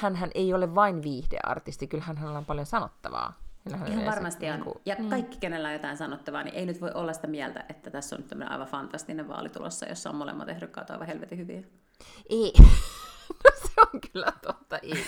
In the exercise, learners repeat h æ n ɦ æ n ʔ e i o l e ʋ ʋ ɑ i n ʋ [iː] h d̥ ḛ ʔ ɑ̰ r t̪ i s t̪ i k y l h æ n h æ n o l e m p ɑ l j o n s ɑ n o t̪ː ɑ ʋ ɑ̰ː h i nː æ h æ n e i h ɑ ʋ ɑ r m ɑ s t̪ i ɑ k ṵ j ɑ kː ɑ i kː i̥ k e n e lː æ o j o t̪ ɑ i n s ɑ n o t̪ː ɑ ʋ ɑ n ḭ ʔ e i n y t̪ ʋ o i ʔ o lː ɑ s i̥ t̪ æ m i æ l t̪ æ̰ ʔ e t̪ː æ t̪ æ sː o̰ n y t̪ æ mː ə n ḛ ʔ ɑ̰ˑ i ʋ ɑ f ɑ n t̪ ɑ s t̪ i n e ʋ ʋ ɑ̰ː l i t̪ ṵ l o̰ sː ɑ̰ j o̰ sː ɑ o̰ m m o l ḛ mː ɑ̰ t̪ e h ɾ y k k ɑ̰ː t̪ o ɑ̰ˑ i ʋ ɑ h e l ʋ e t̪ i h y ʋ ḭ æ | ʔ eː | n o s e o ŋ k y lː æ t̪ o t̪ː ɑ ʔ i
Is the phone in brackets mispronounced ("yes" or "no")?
no